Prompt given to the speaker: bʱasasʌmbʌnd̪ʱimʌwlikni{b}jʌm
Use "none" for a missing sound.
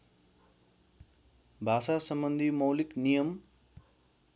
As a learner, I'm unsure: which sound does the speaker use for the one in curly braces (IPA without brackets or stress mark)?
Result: none